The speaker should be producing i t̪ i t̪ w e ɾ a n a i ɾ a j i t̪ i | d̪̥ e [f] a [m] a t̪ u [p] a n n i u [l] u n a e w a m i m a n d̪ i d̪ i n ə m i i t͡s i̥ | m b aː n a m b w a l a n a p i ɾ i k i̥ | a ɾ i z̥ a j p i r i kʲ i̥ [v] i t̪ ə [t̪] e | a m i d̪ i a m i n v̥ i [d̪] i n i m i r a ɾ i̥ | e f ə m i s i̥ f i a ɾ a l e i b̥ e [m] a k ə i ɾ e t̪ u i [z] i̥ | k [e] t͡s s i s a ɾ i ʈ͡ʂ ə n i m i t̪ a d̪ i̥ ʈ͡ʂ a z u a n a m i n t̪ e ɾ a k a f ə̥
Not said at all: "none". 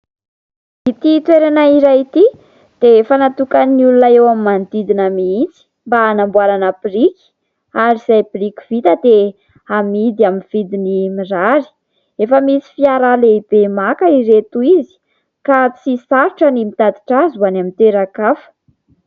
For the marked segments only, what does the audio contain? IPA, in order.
f, n, k, l, v, d̪, d̪, m, z, a

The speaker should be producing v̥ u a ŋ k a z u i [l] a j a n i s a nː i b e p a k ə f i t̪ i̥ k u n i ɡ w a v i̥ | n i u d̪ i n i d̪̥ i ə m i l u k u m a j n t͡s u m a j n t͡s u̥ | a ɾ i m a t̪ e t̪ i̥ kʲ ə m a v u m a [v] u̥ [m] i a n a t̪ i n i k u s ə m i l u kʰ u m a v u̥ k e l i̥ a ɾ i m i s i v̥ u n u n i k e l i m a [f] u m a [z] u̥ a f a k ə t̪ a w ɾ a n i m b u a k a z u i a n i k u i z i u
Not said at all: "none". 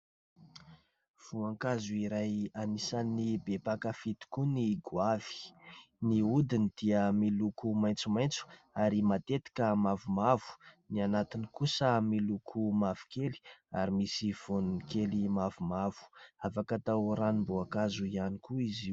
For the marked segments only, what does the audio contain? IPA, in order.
ɾ, v, n, v, v

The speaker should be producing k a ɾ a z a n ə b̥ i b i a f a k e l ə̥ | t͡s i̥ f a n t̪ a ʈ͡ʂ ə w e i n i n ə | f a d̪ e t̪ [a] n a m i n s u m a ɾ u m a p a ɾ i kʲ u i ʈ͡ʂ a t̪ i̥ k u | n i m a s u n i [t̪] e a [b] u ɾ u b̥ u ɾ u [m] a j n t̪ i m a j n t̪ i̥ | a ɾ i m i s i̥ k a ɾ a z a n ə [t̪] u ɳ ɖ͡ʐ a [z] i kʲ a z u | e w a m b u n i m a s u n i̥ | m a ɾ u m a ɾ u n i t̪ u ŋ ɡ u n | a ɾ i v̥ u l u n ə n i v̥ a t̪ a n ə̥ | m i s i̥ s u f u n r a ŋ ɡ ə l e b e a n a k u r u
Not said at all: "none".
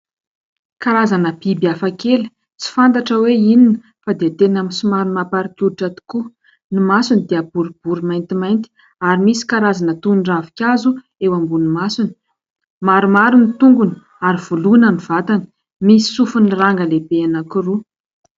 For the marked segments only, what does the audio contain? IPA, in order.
e, d̪, b, m, t̪, v

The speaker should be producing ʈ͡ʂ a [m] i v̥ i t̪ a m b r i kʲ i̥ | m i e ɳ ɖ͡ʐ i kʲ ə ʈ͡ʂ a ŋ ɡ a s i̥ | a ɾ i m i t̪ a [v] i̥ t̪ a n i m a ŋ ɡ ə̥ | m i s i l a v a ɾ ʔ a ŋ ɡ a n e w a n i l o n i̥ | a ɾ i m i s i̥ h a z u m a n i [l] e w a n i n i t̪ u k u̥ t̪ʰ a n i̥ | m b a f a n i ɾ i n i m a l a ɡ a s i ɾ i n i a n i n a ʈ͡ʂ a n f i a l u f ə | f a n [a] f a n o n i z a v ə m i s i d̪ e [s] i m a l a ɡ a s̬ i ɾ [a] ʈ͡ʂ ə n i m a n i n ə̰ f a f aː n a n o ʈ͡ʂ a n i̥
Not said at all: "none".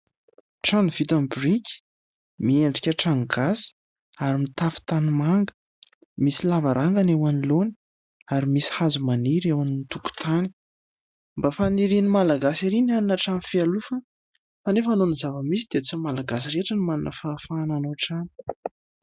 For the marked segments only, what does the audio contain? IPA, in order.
n, f, ɾ, e, t͡s, e

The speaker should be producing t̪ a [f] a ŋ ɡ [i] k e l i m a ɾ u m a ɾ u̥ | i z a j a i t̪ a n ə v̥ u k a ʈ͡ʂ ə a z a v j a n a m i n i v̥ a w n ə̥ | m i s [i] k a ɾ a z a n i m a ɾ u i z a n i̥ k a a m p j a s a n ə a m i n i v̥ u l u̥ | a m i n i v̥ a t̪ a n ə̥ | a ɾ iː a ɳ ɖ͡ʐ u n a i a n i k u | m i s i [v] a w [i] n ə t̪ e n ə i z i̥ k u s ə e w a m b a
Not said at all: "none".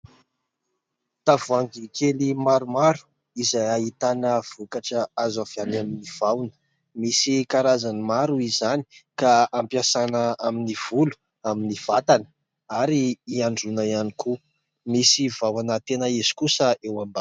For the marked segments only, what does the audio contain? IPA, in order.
v, i, i, v, a

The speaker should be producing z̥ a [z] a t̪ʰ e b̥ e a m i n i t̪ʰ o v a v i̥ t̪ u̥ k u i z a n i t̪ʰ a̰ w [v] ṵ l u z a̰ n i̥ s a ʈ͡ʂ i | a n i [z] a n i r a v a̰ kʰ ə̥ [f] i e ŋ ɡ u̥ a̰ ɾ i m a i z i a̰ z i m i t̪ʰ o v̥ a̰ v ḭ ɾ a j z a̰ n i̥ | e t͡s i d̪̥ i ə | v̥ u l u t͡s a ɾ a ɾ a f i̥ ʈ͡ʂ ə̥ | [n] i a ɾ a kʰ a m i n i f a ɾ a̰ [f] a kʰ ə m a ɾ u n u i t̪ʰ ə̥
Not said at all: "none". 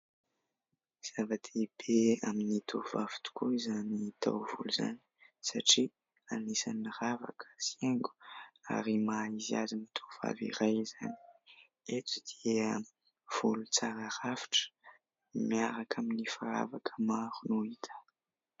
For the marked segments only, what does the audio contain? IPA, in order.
v, v, s, s, m, v

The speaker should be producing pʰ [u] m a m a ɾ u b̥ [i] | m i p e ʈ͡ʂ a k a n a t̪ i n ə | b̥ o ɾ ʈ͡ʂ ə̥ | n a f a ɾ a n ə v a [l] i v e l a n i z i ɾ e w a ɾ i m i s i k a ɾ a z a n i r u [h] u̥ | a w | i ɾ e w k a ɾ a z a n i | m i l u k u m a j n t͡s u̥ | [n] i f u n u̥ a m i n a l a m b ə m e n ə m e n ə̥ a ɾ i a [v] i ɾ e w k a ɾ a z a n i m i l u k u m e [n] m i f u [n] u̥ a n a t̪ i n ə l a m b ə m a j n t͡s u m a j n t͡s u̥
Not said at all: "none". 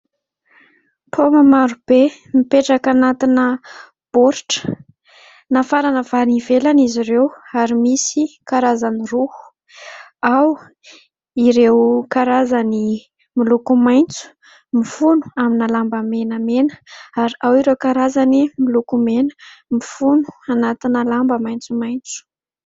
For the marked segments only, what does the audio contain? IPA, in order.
o, e, ɾ, h, m, w, n, n

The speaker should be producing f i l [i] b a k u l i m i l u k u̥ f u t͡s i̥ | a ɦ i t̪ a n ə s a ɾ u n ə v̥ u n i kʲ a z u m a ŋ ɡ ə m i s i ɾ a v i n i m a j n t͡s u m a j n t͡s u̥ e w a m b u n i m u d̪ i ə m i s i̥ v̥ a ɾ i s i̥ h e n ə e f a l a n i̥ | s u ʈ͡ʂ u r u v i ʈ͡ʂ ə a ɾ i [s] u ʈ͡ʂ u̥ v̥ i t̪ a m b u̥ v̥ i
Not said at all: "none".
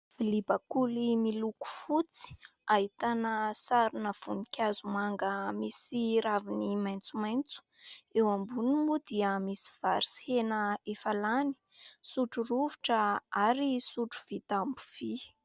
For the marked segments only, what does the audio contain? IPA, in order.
i, s

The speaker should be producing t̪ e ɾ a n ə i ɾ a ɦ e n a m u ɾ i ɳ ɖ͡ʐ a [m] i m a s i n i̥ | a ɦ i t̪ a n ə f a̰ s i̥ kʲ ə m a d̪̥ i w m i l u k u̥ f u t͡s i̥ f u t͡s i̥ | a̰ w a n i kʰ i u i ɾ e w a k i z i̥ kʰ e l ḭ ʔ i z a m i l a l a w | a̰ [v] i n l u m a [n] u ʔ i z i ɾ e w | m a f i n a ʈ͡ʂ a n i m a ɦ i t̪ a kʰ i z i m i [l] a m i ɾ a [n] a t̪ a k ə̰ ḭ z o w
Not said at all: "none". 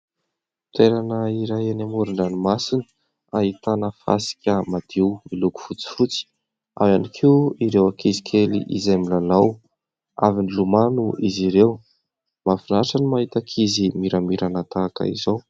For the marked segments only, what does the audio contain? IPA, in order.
n, v, n, ɾ, n

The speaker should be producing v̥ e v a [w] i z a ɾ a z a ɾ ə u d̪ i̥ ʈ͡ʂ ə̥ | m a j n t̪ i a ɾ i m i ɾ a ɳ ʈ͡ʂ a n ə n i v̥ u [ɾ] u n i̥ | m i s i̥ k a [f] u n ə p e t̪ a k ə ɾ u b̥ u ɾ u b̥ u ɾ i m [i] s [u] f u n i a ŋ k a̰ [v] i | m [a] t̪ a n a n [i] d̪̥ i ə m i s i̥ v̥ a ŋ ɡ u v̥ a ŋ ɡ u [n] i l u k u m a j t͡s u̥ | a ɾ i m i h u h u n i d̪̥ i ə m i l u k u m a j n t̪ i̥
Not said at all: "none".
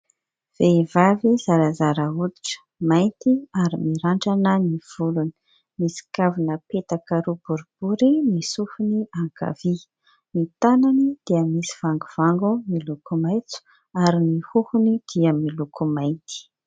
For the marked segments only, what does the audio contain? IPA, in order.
v, l, v, i, u, v, i, i, m

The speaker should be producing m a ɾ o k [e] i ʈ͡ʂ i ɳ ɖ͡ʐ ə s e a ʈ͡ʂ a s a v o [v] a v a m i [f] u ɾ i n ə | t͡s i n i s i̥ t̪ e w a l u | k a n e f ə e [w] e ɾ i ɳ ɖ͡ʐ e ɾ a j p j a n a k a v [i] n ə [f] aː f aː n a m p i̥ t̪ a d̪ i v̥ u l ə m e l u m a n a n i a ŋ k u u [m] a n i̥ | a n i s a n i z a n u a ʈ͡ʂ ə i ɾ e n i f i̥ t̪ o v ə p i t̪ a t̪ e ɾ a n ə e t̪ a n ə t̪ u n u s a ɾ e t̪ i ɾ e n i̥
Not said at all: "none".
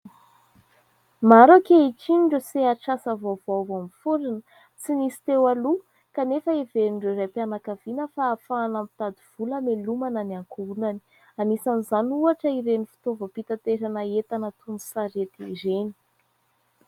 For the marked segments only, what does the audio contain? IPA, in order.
e, v, f, v, i, f, n

